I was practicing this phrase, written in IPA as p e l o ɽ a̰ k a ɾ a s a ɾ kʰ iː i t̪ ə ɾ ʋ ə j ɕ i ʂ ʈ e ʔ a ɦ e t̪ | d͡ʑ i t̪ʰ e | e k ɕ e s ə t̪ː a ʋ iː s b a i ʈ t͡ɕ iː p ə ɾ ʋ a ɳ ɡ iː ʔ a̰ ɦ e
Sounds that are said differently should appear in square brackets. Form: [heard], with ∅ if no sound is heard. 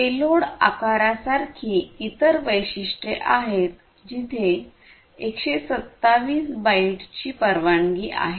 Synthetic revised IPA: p e l o ɽ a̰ k a ɾ a s a ɾ kʰ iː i t̪ ə ɾ ʋ ə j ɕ i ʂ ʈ e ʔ a ɦ e t̪ | d͡ʑ i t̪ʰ e | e k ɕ e s ə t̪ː a ʋ iː s b a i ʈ t͡ɕ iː p ə ɾ ʋ a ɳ ɡ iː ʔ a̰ ɦ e

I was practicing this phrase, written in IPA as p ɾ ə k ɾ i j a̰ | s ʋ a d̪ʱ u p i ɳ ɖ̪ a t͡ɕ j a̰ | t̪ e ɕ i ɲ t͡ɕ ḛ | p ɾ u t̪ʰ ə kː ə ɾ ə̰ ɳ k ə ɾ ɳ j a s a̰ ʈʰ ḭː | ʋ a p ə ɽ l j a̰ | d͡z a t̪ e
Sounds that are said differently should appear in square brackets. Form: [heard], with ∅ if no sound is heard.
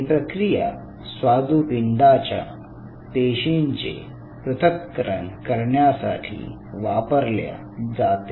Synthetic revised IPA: p ɾ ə k ɾ i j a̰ | s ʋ a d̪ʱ u p i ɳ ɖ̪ a t͡ɕ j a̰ | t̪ e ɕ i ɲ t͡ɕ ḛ | p ɾ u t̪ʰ ə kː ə ɾ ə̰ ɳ k ə ɾ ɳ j a s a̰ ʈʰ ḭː | ʋ a p ə [ɾ] l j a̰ | d͡z a t̪ e

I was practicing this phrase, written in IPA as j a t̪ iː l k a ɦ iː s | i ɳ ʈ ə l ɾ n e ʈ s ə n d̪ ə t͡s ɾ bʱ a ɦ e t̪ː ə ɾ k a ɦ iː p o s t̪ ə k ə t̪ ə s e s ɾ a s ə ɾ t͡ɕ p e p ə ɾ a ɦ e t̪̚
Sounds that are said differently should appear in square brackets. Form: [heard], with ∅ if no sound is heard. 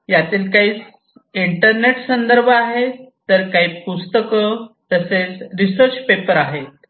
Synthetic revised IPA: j a t̪ iː l k a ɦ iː [t͡s] | i ɳ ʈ ə [∅] ɾ n e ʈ s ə n d̪ ə [∅] ɾ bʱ a ɦ e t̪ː ə ɾ k a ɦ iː p [u] s t̪ ə k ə t̪ ə s e [t͡s] ɾ [i] s ə ɾ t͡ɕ p e p ə ɾ a ɦ e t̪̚

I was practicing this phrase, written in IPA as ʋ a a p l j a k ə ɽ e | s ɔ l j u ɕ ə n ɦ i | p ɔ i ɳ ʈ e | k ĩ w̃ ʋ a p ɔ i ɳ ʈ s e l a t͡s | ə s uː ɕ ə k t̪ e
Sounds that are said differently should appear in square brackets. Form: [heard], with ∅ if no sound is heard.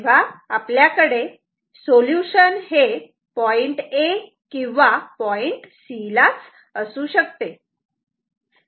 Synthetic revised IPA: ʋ a a p l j a k ə ɽ e | s [o] l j u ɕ ə n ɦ [e] | p ɔ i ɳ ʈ e | k ĩ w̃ ʋ a p ɔ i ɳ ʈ s [i] l a t͡s | ə s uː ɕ ə k t̪ e

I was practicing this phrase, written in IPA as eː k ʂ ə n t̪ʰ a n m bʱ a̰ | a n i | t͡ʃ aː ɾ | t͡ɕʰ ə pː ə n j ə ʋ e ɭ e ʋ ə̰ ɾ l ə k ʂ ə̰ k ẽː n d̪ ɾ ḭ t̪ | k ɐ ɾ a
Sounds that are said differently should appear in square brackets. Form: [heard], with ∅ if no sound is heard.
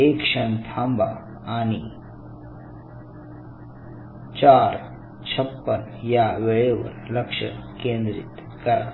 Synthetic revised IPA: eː k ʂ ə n t̪ʰ a [∅] m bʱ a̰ | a n i | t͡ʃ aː ɾ | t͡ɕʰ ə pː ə n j [a] ʋ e ɭ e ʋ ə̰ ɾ l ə k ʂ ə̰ k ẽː n d̪ ɾ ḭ t̪ | k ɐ ɾ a

